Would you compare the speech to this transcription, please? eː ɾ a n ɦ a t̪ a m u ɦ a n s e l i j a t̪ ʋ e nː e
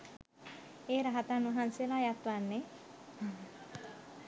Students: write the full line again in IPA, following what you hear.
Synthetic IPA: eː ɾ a ɦ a t̪ a n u ɦ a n s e l a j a t̪ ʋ a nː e